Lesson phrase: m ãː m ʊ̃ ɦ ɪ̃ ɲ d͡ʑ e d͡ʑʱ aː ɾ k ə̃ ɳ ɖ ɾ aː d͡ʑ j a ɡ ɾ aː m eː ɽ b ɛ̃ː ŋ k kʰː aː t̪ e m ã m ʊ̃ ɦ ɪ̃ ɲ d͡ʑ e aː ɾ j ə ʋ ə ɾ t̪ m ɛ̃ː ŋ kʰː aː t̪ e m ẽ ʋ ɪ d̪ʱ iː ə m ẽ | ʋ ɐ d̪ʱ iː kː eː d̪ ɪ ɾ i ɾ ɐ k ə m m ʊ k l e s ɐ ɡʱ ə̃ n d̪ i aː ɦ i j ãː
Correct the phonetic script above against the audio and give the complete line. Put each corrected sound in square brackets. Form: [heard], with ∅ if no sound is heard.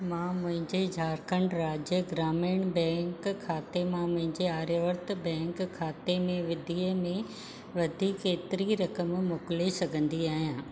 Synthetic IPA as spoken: m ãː m ʊ̃ ɦ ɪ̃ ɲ d͡ʑ e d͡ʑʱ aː ɾ k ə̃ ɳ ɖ ɾ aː d͡ʑ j [ə] ɡ ɾ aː m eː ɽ b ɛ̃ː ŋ k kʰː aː t̪ e m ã m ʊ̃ ɦ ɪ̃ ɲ d͡ʑ e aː ɾ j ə ʋ ə ɾ t̪ [b] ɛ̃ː ŋ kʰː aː t̪ e m ẽ ʋ ɪ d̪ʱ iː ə m ẽ | ʋ ɐ d̪ʱ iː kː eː [t̪] ɪ ɾ i ɾ ɐ k ə m m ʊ k l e s ɐ ɡʱ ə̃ n d̪ i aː ɦ i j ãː